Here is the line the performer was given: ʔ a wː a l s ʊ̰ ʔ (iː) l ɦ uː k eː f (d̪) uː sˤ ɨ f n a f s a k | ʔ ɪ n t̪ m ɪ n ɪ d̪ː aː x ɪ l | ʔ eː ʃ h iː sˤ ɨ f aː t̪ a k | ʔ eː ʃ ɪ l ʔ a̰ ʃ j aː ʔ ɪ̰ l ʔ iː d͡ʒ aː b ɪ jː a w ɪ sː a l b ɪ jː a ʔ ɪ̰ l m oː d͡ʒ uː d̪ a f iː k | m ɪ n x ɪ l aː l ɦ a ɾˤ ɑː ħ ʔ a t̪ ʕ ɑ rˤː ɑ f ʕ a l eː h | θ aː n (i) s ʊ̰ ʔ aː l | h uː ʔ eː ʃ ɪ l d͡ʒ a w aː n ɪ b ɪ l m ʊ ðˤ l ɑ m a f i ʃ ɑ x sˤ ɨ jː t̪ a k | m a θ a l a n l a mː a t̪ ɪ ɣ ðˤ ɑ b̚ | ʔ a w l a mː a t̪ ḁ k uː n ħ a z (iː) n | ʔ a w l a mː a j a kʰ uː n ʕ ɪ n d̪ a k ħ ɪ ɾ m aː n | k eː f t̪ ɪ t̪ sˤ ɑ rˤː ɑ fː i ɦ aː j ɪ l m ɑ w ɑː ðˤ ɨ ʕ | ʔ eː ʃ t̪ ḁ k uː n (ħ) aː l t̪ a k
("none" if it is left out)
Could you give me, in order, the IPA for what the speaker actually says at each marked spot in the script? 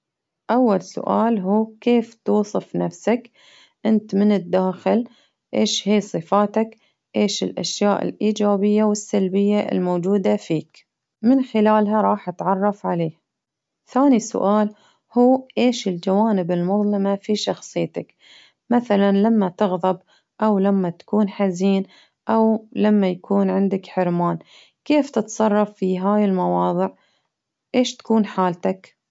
aː, t̪, i, iː, ħ

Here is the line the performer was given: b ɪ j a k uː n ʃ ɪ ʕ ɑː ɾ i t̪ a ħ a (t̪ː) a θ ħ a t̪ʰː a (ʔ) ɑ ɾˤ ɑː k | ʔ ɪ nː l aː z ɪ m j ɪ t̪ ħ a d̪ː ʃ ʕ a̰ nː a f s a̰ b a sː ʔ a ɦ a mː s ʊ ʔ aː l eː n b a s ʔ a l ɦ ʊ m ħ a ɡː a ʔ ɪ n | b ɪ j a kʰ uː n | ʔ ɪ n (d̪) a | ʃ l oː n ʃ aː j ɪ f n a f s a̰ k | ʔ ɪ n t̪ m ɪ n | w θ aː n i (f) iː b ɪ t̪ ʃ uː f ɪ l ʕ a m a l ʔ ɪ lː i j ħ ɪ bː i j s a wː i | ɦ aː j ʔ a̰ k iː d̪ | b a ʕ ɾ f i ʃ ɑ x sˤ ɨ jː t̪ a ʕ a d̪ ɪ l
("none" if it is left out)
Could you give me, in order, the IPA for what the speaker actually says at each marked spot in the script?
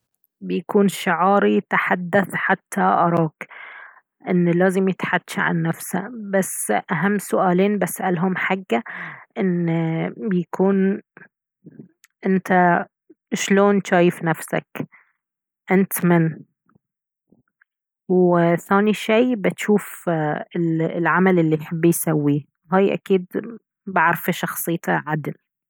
d̪ː, ʔ, t̪, ʃ

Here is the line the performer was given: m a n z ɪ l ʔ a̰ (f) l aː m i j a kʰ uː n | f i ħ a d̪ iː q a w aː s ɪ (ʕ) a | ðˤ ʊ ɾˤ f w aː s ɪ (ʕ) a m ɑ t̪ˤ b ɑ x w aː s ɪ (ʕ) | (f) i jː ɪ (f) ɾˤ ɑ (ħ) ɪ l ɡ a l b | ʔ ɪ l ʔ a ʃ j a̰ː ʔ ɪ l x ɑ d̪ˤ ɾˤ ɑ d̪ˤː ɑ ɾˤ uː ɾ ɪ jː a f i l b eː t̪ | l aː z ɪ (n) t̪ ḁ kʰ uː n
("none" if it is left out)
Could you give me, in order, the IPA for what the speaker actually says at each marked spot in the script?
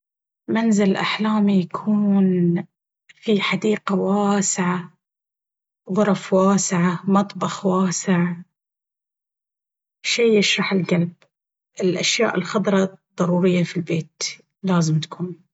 ħ, ʕ, ʕ, ʕ, ʃ, ʃ, ħ, m

